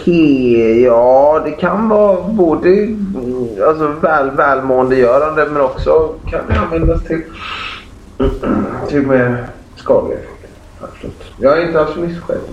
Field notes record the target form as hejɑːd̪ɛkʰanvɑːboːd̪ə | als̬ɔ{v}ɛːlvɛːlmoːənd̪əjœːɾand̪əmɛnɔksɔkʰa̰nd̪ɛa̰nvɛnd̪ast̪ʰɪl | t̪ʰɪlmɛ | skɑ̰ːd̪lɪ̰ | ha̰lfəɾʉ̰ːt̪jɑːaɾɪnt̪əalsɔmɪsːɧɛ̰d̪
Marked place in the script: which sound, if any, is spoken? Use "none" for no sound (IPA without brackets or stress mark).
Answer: v